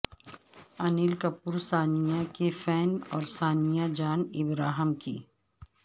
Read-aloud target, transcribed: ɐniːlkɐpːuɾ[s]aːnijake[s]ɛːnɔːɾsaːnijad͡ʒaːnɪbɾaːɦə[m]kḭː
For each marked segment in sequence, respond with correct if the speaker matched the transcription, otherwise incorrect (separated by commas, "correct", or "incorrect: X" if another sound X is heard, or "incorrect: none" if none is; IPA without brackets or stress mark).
correct, incorrect: f, correct